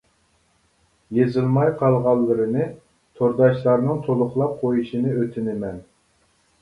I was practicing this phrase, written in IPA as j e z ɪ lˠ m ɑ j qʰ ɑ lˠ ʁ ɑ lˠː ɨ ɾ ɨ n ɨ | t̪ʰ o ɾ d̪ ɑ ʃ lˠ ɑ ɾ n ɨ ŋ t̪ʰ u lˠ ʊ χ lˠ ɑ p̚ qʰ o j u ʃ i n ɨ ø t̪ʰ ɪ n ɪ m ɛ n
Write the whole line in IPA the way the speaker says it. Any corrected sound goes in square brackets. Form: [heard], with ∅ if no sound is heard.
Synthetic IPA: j e z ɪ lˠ m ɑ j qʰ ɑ lˠ ʁ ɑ lˠː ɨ ɾ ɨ n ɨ | t̪ʰ o ɾ d̪ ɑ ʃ lˠ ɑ ɾ n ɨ ŋ t̪ʰ [o] lˠ ʊ χ lˠ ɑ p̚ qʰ o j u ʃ i n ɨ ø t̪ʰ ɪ n ɪ m ɛ n